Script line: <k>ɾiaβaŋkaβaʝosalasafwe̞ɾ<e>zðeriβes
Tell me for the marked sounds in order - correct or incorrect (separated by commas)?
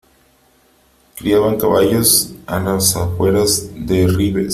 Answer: correct, incorrect